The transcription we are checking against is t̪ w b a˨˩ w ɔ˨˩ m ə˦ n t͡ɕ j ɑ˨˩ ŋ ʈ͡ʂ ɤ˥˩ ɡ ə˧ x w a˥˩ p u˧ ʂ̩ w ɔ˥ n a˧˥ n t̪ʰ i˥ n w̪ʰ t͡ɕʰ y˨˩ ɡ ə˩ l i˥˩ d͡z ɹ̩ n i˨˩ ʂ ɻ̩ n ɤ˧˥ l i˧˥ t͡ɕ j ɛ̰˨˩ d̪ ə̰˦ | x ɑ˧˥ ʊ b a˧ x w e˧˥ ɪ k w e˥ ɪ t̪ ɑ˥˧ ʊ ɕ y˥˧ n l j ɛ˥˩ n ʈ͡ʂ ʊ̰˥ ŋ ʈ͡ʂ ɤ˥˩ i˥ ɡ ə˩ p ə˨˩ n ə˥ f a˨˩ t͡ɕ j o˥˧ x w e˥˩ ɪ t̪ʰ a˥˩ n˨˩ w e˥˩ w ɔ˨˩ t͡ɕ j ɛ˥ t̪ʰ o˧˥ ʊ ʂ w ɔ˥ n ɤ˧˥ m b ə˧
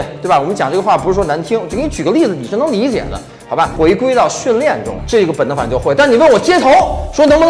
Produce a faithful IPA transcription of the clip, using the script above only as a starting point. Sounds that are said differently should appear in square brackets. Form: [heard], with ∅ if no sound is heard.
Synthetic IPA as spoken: t̪ w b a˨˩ w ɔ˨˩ m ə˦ n t͡ɕ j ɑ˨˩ ŋ ʈ͡ʂ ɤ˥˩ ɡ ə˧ x w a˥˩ p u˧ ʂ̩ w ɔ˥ n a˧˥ n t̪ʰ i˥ [ŋ] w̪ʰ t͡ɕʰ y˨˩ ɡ [ə˦] l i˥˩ d͡z ɹ̩ n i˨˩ ʂ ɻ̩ n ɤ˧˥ l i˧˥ t͡ɕ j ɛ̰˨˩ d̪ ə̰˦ | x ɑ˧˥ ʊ b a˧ x w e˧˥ ɪ k w e˥ ɪ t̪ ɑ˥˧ ʊ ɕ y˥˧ n l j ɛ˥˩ n ʈ͡ʂ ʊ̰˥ ŋ ʈ͡ʂ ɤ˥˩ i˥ ɡ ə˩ p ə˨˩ n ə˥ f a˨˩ t͡ɕ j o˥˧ x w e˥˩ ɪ [t̪] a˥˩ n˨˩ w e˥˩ w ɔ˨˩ t͡ɕ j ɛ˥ t̪ʰ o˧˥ ʊ ʂ w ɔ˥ n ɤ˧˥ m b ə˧